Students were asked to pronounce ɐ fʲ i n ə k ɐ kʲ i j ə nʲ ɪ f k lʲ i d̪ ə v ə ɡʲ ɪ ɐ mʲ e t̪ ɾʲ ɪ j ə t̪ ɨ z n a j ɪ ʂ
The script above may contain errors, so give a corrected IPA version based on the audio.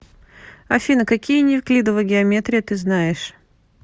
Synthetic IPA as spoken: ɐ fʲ i n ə k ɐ kʲ i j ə nʲ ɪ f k lʲ i d̪ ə v ə ɡʲ ɪ ɐ mʲ e t̪ ɾʲ ɪ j ə t̪ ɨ z n a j ɪ ʂ